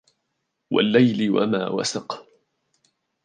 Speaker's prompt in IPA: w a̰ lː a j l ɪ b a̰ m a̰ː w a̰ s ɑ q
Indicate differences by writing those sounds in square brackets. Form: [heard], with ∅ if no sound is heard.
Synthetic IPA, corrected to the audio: w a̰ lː a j l ɪ [w] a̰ m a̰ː w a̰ s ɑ q